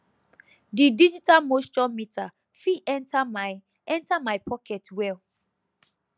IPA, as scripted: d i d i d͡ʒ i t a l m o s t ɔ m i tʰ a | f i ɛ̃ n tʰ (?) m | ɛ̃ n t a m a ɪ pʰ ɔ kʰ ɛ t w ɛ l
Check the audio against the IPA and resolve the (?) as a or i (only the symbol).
a